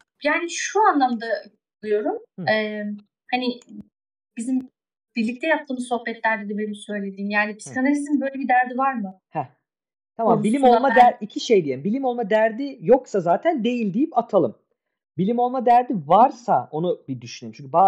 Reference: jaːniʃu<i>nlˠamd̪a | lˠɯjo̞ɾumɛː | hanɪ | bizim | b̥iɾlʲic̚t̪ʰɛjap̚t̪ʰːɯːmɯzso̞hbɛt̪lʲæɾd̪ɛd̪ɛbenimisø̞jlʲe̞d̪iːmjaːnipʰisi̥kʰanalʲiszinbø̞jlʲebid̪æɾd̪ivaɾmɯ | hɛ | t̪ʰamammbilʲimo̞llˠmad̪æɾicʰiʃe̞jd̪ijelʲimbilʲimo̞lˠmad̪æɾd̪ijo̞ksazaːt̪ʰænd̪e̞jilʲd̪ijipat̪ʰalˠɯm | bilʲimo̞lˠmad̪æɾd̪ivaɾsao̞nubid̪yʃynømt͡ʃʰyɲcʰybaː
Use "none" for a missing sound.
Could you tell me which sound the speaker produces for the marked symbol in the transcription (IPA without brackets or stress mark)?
a